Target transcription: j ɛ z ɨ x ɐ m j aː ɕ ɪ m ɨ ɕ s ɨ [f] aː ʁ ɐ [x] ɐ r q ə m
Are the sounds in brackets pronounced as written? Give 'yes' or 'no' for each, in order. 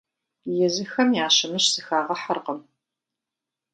no, no

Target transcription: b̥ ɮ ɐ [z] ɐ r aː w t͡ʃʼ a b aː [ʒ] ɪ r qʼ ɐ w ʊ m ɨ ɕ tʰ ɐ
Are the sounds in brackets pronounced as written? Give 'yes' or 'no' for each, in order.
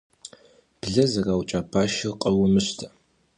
yes, no

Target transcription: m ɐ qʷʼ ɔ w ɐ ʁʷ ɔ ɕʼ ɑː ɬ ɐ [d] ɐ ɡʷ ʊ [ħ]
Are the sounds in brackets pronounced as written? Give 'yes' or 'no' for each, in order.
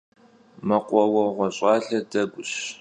yes, no

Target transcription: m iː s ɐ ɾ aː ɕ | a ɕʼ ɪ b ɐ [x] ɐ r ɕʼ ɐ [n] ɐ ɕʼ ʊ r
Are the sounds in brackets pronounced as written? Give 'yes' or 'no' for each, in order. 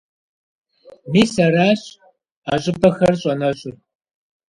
yes, yes

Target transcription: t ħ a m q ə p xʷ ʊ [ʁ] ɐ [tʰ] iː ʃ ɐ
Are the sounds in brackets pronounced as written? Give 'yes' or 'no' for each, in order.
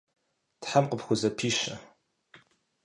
no, no

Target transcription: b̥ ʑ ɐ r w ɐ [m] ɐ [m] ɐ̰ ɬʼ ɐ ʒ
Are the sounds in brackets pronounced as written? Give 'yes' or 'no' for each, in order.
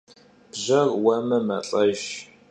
yes, yes

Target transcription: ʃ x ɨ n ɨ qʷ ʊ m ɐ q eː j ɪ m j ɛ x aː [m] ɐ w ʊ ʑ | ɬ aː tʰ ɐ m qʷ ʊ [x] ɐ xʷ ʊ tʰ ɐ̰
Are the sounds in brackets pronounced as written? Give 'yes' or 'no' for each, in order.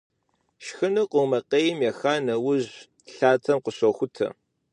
no, no

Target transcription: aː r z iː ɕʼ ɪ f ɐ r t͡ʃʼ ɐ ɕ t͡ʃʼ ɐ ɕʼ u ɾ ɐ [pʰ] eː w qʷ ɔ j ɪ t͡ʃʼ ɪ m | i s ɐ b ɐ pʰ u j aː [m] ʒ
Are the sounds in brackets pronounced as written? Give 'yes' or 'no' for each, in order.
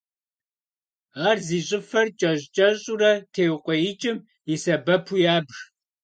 no, no

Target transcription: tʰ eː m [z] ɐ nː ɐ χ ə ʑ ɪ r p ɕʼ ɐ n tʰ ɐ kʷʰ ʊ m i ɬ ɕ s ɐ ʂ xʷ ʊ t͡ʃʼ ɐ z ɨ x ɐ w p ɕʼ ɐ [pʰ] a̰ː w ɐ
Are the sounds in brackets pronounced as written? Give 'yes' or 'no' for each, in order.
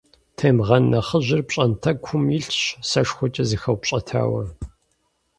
no, no

